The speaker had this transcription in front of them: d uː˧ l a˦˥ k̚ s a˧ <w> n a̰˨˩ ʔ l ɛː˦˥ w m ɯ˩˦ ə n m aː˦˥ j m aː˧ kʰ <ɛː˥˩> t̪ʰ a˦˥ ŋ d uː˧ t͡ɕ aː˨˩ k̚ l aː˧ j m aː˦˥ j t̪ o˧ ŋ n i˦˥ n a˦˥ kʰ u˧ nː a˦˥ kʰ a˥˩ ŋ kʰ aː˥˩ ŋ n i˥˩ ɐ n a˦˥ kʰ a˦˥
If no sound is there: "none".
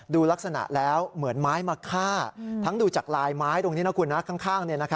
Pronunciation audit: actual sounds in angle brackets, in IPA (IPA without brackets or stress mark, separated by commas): none, aː˥˩